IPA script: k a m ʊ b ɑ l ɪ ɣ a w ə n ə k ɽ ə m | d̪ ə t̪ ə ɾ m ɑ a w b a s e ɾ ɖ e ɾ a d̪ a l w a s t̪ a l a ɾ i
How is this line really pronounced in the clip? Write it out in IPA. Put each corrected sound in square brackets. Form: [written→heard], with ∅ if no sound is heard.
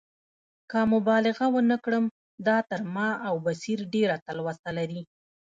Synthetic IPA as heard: k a m ʊ b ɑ l ɪ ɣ a w ə n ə k ɽ ə m | d̪ [ə→ɑ] t̪ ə ɾ m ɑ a w b a s [e→i] ɾ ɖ e ɾ a [d̪→t̪] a l w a s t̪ a l a ɾ i